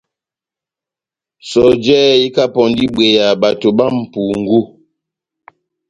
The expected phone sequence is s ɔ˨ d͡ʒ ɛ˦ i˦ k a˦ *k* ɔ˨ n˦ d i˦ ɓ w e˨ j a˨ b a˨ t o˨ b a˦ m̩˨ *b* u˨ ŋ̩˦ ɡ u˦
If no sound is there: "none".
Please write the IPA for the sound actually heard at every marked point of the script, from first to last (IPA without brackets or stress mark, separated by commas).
p, p